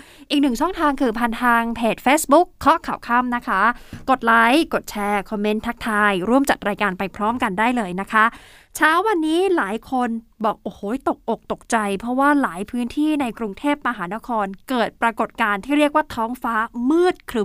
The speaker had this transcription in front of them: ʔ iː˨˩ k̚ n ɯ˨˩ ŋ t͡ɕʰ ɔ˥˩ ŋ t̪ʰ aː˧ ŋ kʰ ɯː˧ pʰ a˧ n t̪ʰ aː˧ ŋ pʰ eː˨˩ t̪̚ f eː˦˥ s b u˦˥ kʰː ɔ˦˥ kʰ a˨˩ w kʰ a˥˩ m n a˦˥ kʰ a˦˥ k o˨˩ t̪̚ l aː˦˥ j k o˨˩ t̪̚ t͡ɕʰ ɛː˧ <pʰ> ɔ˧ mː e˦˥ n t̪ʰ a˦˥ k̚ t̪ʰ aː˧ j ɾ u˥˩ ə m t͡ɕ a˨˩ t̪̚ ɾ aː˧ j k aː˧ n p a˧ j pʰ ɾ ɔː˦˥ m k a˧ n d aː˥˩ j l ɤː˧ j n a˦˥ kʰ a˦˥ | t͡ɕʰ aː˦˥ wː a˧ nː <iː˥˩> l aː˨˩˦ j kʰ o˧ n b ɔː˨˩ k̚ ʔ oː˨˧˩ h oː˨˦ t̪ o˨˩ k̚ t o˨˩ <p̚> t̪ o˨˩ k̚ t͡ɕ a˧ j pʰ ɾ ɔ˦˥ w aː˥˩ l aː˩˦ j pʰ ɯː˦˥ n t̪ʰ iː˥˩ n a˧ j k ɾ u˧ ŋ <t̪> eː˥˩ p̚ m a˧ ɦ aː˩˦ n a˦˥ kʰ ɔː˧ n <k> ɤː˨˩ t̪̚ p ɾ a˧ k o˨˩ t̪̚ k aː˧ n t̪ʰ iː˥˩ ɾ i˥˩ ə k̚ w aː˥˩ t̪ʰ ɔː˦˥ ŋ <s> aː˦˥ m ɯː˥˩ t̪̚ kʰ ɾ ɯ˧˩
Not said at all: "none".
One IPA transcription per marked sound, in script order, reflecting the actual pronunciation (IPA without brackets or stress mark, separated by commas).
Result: kʰ, iː˦˥, k̚, t̪ʰ, k, f